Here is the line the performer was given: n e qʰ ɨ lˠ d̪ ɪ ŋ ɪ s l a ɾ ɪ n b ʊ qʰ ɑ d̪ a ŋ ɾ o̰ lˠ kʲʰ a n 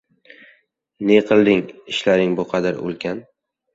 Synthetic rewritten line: n e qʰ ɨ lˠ d̪ ɪ ŋ ɪ ʃ l a ɾ ɪ ŋ b ʊ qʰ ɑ d̪ a ɾ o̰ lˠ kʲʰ a n